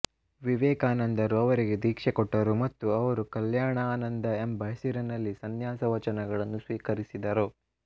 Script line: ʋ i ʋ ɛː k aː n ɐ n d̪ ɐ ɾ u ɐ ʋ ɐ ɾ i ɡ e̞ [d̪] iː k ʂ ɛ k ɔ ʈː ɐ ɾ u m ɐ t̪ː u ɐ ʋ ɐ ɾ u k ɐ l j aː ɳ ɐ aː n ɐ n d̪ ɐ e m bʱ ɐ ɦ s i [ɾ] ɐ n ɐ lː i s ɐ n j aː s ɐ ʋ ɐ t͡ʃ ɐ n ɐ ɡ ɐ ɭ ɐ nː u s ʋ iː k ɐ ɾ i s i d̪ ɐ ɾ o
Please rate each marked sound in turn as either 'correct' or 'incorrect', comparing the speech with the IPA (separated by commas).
correct, correct